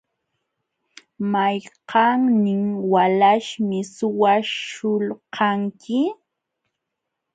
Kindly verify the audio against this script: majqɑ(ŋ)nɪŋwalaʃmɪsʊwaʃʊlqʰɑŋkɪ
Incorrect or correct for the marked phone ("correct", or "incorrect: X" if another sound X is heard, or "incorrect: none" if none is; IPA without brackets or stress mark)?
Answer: correct